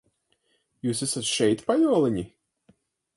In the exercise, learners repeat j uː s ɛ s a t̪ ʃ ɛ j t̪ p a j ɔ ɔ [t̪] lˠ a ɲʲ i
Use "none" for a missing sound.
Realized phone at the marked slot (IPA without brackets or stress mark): none